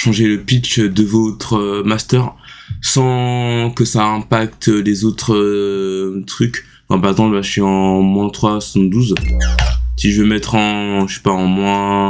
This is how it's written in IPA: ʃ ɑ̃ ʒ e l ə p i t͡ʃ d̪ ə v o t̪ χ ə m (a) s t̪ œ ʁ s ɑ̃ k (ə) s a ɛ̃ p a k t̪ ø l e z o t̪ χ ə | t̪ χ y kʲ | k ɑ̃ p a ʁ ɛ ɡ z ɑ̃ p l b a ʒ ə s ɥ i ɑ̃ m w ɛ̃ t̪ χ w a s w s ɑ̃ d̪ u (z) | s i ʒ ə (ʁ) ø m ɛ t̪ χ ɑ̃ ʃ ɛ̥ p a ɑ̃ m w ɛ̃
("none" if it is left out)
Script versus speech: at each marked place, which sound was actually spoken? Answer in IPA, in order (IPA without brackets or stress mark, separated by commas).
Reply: a, ə, z, v